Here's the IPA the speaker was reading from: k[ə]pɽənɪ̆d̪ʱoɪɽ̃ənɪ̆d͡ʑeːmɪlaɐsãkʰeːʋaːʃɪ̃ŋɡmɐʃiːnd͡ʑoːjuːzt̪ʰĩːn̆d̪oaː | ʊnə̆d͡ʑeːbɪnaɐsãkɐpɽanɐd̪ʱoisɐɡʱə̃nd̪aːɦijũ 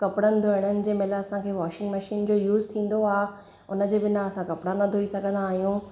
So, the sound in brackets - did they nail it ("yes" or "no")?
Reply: no